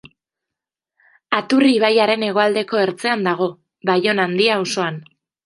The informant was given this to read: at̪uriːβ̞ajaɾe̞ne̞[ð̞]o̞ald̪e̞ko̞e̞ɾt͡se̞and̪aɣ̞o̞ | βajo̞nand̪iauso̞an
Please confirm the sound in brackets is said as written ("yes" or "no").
no